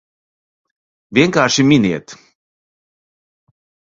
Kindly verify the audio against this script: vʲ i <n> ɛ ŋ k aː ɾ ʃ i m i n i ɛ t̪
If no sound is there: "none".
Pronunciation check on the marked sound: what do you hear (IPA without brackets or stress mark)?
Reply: none